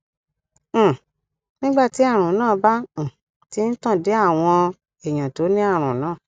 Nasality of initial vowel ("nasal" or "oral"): nasal